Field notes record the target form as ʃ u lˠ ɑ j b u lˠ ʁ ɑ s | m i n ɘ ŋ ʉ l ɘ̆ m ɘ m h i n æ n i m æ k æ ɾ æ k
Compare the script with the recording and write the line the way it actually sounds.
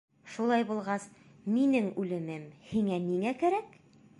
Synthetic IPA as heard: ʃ u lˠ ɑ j b u lˠ ʁ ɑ s | m i n ɘ ŋ ʉ l ɘ̆ m ɘ m h i ŋ æ n i ŋ æ k æ ɾ æ k